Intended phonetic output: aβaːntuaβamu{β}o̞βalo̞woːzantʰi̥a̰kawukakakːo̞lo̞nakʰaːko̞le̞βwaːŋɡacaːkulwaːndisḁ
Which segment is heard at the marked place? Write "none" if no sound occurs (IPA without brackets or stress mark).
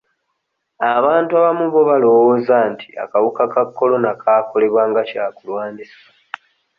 β